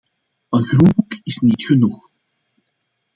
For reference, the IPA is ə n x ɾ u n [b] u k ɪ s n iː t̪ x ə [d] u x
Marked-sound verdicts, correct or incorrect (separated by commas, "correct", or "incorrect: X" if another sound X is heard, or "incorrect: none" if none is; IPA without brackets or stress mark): correct, incorrect: n